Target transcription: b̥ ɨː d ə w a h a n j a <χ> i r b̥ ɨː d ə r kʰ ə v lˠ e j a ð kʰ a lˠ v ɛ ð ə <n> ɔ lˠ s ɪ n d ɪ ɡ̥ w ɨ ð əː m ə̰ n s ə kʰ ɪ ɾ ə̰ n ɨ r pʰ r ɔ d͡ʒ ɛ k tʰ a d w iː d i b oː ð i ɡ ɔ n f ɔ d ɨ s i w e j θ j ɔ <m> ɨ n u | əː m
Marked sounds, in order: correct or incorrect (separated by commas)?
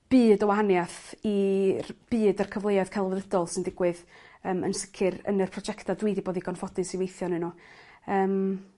incorrect, incorrect, incorrect